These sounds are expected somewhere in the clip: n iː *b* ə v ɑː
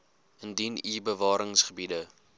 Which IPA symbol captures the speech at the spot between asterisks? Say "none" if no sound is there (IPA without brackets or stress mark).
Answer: b